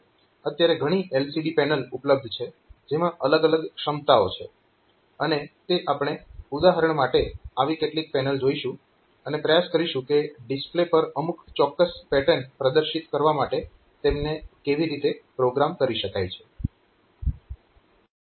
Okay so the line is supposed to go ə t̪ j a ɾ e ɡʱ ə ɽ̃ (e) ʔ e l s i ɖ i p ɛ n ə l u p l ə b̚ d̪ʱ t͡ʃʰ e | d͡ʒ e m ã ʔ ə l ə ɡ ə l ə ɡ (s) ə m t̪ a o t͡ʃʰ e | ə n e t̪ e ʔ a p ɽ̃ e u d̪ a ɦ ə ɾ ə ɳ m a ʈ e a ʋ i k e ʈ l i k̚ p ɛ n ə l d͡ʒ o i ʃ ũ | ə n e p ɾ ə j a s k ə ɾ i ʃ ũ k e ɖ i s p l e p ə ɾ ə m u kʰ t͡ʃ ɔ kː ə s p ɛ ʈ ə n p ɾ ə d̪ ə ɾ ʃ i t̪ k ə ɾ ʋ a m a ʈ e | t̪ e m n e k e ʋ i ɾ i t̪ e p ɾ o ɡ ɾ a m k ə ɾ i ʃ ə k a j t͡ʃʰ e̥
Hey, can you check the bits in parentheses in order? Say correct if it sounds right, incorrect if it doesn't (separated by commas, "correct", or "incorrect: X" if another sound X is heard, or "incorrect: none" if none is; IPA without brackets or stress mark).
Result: incorrect: i, incorrect: ʃ